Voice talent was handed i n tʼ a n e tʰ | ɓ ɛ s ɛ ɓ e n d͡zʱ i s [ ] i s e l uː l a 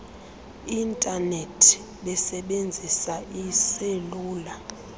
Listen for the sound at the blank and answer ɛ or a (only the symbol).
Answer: a